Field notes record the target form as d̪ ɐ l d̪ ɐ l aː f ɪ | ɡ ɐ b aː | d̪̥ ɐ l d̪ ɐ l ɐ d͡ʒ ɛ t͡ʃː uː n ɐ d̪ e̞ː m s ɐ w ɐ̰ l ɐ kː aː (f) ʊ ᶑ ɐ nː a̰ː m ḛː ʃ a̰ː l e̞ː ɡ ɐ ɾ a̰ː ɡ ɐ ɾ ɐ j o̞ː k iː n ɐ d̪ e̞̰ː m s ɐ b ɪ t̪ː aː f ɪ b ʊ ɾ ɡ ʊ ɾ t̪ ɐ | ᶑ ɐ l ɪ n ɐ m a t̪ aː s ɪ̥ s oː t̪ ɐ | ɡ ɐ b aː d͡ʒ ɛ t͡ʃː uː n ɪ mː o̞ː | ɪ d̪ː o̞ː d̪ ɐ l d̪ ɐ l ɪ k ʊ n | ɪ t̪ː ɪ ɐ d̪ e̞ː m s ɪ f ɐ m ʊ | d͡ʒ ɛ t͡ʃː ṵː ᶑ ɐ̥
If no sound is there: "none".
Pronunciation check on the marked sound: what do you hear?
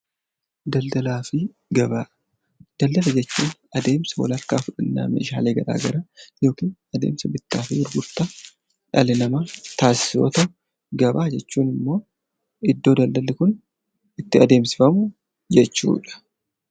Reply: f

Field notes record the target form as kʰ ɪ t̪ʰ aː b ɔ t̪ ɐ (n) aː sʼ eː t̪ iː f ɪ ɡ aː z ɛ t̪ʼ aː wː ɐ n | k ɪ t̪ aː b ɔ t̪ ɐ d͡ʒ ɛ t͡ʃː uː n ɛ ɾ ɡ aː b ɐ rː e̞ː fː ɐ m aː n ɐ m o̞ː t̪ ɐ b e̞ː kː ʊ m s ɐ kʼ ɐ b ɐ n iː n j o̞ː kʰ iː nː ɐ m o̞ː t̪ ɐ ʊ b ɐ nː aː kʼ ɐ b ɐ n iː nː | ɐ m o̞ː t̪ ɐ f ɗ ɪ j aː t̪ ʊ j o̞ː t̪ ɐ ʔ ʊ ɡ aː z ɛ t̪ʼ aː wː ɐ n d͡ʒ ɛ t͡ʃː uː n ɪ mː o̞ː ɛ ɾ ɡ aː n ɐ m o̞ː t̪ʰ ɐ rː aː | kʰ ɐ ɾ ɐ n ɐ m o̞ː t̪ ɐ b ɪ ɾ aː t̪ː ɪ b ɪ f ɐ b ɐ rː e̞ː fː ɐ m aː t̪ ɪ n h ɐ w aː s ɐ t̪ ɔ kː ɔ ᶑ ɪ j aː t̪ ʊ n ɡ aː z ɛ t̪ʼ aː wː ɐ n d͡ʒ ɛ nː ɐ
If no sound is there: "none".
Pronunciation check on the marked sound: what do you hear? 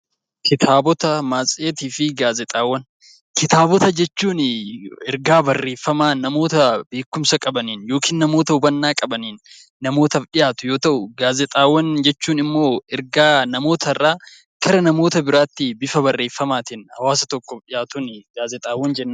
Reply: m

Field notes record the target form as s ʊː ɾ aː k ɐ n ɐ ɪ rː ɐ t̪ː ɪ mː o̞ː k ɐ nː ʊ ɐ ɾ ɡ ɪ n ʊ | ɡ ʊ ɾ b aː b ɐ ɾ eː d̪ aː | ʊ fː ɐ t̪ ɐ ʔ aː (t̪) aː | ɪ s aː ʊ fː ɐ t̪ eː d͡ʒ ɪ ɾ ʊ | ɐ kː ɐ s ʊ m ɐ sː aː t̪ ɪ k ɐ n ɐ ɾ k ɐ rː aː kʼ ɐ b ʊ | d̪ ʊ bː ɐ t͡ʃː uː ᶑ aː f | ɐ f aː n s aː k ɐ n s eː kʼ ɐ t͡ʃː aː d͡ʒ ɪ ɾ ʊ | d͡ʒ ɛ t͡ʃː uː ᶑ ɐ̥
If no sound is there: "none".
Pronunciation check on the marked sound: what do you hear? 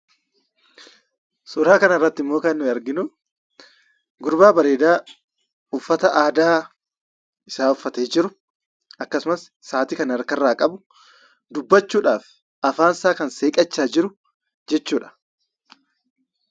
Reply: d̪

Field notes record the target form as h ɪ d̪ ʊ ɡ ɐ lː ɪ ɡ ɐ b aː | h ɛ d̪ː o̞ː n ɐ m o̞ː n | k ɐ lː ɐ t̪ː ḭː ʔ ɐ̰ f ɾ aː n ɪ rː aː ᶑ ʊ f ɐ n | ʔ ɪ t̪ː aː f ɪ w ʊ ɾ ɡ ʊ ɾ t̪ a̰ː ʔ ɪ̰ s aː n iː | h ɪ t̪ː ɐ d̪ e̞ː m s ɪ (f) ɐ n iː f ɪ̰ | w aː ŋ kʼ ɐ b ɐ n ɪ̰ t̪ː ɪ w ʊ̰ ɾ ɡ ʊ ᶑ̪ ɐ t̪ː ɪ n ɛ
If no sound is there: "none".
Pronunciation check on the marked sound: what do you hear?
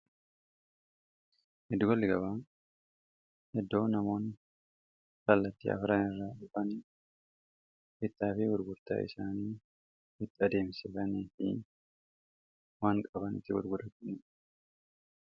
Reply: f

